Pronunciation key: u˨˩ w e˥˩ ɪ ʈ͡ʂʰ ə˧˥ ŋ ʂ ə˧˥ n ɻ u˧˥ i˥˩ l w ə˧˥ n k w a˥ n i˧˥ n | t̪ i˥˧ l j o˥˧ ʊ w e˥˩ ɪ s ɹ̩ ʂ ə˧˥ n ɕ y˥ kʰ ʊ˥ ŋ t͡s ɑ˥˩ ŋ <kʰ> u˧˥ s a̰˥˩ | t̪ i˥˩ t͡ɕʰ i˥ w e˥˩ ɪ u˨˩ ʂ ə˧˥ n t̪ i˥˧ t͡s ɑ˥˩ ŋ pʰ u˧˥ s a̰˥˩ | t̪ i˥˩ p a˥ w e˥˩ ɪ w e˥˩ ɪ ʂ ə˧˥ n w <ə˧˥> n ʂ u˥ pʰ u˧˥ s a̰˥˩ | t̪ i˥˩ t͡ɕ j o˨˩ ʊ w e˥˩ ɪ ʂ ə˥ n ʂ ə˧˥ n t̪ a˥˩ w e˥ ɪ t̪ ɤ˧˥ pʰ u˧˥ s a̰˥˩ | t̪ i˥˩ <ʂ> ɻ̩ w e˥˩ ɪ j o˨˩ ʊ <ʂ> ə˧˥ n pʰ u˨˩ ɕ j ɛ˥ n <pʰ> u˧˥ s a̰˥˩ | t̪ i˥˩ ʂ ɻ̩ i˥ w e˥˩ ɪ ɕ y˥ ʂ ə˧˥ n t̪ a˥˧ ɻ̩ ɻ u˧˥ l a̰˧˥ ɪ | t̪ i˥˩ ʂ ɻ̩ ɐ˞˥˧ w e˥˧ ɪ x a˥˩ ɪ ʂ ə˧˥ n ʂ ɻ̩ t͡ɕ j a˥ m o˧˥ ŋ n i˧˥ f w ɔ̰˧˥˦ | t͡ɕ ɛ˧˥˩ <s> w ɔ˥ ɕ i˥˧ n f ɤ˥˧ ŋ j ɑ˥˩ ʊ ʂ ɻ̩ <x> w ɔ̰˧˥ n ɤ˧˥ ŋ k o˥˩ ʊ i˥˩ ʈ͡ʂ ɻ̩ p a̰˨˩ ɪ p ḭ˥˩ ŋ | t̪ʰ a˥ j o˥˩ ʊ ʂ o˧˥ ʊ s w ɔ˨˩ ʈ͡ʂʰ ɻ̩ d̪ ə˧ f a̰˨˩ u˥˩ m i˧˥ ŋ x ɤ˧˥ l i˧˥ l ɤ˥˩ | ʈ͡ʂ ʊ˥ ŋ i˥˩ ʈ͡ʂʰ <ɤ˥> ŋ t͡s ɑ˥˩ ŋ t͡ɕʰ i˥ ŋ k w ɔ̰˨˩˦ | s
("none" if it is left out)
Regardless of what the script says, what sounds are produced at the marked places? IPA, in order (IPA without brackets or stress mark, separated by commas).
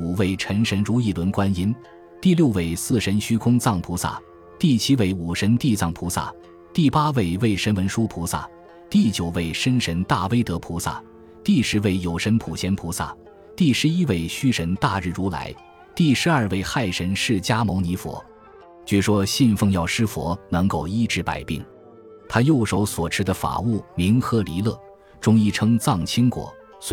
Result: pʰ, ə˧˥, ʂ, ʂ, pʰ, ʂ, f, ɤ˥